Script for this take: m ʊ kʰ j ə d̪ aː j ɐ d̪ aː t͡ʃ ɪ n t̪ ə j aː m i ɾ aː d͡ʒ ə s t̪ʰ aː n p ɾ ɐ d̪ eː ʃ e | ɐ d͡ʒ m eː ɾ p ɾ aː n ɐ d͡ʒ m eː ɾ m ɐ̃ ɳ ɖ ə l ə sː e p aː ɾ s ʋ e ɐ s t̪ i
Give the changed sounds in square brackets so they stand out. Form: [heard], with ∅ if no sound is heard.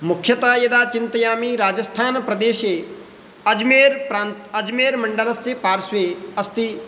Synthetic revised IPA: m ʊ kʰ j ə [t̪] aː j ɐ d̪ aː t͡ʃ ɪ n t̪ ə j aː m i ɾ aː d͡ʒ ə s t̪ʰ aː n p ɾ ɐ d̪ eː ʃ e | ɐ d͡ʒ m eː ɾ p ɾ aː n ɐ d͡ʒ m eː ɾ m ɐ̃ ɳ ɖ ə l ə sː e p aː ɾ s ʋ e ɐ s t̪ i